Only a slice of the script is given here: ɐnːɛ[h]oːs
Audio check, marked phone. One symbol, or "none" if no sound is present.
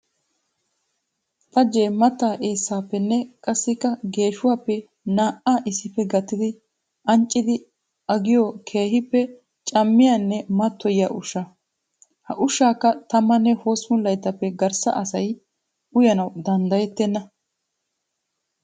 h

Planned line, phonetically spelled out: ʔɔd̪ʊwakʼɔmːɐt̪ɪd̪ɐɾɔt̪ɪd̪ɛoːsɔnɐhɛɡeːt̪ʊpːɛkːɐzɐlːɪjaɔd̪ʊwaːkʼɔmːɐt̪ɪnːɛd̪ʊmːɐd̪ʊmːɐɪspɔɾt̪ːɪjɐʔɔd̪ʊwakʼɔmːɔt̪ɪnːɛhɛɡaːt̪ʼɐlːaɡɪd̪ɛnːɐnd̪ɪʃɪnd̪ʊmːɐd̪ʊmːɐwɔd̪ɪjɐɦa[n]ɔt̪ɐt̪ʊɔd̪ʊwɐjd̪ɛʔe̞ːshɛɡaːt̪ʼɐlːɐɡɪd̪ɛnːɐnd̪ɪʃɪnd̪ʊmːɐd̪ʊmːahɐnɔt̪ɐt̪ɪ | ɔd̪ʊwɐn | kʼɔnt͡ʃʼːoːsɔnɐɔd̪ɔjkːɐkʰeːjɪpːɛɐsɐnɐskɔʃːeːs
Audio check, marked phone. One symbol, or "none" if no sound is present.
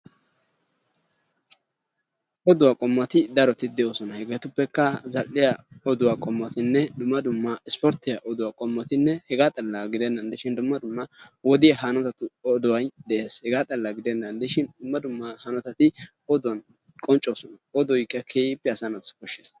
n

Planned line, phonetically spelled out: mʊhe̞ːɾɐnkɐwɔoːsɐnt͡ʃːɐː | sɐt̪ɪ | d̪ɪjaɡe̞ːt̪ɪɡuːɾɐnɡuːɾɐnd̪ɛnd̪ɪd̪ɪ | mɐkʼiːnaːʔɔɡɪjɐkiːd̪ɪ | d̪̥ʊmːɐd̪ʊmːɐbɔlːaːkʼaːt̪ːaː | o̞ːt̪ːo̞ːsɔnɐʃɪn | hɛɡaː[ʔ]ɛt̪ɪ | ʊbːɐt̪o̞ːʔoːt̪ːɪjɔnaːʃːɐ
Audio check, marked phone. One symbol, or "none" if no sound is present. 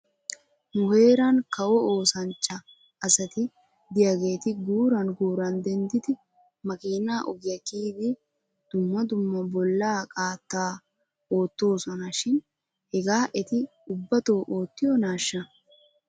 ʔ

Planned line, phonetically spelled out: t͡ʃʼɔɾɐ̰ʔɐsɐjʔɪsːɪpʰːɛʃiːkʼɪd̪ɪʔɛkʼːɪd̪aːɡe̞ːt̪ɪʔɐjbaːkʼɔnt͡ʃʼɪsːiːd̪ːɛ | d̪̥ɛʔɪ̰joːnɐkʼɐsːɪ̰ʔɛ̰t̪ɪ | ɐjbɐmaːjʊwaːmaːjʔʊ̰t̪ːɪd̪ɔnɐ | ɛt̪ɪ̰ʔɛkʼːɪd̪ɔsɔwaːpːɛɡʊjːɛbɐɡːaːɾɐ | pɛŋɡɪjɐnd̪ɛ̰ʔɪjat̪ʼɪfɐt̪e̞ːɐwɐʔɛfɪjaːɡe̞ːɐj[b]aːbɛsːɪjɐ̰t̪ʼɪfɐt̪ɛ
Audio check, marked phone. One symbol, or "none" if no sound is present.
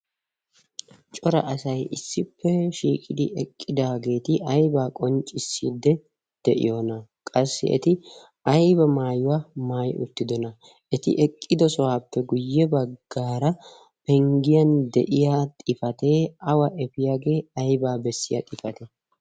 b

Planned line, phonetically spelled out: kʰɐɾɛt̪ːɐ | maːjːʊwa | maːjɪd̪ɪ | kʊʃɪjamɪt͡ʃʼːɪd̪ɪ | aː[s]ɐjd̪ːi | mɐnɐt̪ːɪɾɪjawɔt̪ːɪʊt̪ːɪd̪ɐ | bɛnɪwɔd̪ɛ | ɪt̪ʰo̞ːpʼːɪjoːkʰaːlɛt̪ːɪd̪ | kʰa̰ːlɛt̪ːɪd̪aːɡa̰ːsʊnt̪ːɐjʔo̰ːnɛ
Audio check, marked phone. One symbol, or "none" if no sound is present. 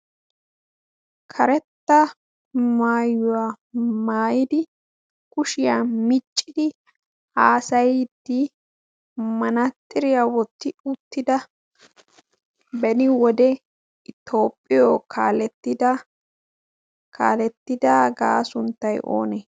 s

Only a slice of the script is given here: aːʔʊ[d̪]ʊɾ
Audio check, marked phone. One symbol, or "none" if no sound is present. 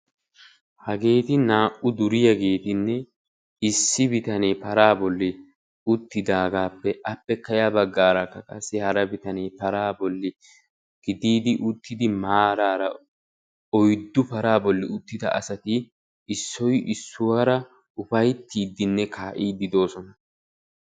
d̪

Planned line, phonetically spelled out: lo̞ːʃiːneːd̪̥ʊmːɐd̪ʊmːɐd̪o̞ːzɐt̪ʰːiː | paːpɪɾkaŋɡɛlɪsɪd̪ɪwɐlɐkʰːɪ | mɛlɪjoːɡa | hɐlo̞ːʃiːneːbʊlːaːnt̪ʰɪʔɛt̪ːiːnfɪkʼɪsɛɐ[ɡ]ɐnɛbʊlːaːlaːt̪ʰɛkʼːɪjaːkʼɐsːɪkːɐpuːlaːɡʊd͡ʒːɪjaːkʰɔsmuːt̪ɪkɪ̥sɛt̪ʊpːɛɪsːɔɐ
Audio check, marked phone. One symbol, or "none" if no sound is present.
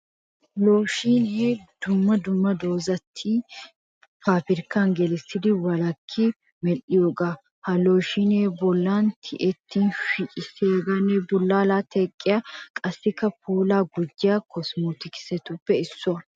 ɡ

